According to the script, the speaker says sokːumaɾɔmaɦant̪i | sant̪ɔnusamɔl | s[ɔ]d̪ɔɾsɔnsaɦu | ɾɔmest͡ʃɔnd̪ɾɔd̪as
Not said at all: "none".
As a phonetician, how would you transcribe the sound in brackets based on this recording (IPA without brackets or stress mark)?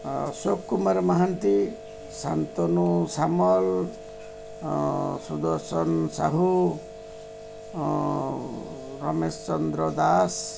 u